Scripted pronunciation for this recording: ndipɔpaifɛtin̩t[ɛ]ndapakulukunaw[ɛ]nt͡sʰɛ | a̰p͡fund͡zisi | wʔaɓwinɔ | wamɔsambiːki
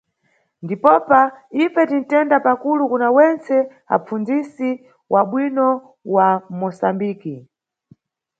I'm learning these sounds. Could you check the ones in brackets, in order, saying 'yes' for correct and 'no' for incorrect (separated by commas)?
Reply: yes, yes